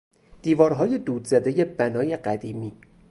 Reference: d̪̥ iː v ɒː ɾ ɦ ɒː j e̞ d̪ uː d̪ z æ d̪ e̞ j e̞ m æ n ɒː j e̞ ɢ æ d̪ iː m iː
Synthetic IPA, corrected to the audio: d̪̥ iː v ɒː ɾ ɦ ɒː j e̞ d̪ uː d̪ z æ d̪ e̞ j e̞ b æ n ɒː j e̞ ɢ æ d̪ iː m iː